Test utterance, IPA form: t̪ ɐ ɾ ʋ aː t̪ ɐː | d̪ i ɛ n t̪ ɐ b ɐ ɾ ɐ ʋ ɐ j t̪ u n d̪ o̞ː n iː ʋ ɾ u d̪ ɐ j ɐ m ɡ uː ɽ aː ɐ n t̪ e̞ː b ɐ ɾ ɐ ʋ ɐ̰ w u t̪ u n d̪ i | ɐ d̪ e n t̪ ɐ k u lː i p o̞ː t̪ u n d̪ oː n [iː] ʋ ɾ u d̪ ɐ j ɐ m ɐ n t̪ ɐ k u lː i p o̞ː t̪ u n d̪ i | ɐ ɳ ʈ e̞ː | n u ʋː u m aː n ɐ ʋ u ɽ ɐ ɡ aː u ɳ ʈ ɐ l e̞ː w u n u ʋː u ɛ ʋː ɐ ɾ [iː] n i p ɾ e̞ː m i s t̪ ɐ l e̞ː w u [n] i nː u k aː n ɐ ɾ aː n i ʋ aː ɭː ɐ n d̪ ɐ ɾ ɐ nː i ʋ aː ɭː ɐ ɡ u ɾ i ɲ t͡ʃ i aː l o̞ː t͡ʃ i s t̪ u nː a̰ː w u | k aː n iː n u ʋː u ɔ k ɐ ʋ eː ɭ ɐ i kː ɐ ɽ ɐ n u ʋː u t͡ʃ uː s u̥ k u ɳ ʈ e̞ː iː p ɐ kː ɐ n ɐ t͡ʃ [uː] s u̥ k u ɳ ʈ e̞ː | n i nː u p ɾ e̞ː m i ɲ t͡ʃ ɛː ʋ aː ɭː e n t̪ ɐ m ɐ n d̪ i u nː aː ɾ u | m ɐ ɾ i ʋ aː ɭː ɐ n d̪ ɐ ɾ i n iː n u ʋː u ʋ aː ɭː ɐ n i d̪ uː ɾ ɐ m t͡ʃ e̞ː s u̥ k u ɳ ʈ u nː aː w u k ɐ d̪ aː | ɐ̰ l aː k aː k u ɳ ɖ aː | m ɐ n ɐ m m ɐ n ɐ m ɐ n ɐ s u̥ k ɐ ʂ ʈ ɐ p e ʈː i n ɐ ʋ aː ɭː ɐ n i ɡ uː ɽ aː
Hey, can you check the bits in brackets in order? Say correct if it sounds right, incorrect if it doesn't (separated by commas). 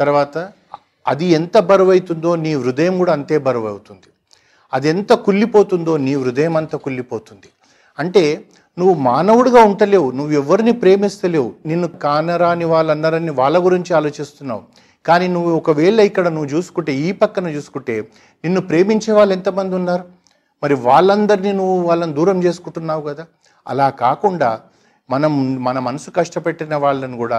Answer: correct, incorrect, correct, correct